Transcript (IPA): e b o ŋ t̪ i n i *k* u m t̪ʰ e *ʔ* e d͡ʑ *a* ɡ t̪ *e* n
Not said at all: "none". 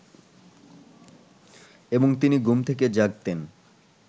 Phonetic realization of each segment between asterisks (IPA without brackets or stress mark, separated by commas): ɡ, k, a, e